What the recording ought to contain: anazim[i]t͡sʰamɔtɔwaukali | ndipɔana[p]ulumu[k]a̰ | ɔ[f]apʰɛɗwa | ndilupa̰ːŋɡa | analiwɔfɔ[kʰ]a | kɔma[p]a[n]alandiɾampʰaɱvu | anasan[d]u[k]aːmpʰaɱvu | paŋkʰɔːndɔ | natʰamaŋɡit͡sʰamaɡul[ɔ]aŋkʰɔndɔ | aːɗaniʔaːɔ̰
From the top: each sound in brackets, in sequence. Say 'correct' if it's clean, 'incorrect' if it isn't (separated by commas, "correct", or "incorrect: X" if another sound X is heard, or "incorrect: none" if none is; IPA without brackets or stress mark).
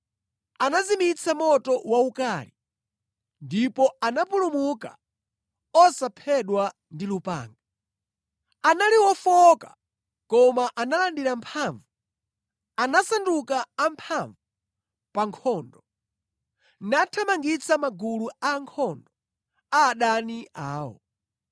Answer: correct, correct, correct, incorrect: s, incorrect: k, incorrect: ʔ, correct, correct, correct, incorrect: u